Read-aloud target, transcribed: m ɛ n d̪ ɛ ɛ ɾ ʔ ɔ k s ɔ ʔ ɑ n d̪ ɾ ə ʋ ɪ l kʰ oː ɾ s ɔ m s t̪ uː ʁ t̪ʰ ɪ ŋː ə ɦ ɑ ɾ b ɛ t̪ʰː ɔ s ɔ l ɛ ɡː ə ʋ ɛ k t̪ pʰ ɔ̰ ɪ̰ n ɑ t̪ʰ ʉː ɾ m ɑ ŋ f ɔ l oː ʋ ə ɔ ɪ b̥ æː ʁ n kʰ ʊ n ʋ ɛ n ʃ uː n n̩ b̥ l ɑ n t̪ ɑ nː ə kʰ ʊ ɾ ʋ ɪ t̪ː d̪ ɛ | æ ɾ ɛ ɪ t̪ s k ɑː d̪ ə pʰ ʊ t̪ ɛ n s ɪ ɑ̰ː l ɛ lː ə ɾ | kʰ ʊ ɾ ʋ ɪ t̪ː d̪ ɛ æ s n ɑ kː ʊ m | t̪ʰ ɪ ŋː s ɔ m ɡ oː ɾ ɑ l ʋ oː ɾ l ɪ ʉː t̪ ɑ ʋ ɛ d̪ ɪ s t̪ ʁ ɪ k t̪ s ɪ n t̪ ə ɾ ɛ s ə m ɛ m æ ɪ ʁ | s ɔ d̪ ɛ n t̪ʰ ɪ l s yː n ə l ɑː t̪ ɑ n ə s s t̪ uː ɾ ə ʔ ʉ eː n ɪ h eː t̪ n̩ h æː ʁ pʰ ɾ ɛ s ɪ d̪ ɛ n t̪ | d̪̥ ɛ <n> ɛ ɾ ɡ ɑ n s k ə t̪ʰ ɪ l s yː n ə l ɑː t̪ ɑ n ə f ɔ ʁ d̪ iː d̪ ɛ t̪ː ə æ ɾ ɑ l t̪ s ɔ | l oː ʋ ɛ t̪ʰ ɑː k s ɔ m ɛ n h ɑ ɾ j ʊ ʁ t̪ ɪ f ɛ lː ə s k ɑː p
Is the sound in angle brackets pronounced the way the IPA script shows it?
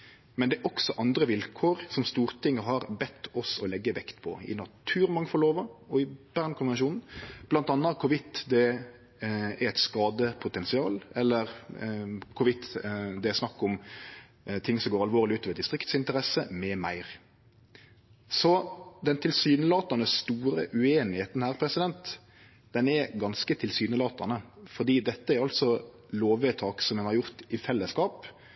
yes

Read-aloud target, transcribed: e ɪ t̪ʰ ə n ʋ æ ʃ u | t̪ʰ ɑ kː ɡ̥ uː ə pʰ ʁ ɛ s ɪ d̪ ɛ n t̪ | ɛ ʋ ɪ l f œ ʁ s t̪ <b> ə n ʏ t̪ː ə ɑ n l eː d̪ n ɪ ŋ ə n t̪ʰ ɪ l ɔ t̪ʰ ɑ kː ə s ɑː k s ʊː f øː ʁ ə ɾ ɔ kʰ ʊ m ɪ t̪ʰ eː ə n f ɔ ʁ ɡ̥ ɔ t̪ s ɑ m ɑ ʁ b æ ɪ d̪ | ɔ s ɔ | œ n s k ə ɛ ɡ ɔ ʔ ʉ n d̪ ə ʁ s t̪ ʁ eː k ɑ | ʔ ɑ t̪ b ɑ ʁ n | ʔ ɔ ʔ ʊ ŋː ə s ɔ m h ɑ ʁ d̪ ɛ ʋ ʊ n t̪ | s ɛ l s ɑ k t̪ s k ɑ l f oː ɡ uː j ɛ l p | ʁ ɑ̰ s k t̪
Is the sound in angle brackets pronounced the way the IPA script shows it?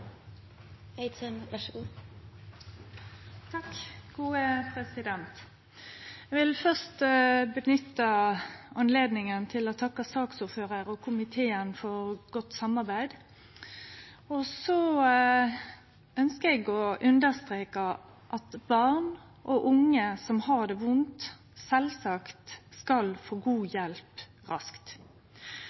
yes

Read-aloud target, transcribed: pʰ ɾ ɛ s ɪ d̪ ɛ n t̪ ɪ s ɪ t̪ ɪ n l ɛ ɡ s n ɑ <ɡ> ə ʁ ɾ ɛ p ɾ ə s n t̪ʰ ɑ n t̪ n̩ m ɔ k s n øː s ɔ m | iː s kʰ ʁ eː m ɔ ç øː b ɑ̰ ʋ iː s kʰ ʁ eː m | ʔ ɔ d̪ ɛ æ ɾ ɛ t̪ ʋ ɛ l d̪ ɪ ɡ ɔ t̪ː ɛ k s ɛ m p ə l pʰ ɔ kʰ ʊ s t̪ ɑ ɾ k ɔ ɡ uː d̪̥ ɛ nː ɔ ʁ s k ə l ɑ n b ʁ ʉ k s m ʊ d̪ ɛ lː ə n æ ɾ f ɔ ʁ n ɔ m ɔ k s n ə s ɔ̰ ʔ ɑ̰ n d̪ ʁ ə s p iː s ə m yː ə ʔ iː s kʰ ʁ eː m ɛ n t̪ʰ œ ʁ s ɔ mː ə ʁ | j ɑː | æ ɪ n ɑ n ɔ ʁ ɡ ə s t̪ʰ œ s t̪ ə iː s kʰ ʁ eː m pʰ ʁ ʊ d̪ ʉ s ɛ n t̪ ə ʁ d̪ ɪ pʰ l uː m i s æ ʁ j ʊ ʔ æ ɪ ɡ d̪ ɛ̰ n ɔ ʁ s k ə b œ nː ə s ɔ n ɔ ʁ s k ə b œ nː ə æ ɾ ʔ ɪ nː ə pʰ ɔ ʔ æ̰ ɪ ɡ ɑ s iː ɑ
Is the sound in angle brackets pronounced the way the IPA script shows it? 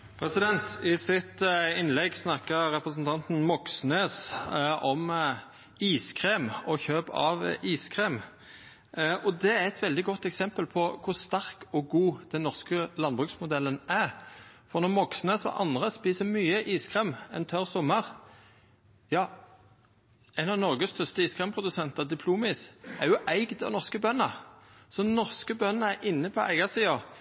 no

